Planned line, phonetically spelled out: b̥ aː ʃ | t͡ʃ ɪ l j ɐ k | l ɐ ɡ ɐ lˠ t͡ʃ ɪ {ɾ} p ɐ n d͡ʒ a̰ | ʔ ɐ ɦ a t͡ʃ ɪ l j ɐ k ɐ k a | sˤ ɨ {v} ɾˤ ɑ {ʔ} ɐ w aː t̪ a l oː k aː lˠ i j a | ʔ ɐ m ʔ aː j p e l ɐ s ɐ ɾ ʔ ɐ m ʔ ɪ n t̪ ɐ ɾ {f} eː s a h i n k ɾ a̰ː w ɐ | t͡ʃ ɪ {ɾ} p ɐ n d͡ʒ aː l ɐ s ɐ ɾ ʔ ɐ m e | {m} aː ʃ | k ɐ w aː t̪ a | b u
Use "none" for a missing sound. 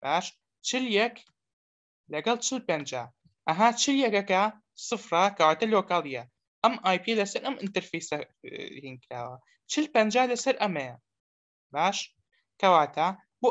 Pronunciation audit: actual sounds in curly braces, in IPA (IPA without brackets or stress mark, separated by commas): l, f, k, f, l, b